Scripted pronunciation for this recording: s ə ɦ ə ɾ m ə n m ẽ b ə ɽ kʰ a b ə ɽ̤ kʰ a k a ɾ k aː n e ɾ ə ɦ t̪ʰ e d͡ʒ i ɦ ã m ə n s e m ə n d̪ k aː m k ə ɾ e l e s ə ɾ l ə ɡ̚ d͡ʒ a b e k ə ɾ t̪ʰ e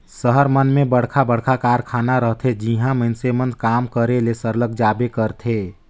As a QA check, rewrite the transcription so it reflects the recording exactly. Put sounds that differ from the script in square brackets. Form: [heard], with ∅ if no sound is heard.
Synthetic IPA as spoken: s ə ɦ ə ɾ m ə n m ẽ b ə ɽ kʰ a b ə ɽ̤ kʰ a k a ɾ [kʰ] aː n [a] ɾ ə ɦ t̪ʰ e d͡ʒ i ɦ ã m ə n s e m ə n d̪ k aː m k ə ɾ e l e s ə ɾ l ə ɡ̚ d͡ʒ a b e k ə ɾ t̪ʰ e